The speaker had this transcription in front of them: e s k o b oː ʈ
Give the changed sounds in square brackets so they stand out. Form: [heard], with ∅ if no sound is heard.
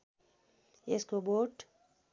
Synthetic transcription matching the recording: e s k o b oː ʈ